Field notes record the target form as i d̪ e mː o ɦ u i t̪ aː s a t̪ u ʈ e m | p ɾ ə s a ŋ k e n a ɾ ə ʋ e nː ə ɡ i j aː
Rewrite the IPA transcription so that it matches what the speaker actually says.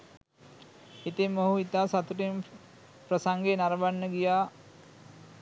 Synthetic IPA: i t̪ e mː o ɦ u i t̪ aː s a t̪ u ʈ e m | p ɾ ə s a ŋ ɡ e n a ɾ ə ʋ a nː ə ɡ i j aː